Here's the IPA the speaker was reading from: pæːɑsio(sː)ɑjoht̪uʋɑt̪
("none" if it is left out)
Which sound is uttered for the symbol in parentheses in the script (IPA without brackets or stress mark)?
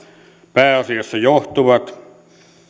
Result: sː